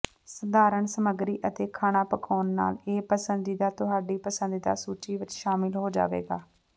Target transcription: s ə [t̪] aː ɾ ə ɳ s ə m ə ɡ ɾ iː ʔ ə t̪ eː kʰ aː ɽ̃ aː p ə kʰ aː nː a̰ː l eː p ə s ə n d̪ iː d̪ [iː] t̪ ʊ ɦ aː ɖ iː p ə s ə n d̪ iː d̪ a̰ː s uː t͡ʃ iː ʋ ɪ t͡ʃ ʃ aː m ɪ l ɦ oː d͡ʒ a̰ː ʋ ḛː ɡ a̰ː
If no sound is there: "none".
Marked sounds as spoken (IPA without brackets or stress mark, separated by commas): d̪, aː